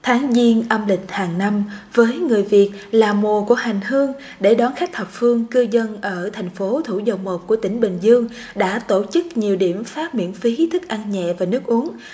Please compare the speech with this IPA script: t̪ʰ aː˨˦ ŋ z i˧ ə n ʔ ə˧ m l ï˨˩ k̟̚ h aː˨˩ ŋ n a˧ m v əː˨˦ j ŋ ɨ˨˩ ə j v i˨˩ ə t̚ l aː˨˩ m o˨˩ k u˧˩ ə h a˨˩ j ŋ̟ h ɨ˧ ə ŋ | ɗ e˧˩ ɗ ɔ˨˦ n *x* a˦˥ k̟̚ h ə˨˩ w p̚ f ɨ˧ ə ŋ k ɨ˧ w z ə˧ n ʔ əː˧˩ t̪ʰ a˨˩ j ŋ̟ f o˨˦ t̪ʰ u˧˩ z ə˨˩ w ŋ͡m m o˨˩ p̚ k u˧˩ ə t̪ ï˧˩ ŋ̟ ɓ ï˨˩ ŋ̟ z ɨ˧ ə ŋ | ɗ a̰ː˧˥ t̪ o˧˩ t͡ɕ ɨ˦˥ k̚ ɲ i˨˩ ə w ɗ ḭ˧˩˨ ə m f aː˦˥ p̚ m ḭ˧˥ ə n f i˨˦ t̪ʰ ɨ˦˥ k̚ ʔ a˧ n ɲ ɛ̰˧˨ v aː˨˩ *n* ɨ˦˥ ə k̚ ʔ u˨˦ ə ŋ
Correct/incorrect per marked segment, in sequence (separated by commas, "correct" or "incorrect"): correct, correct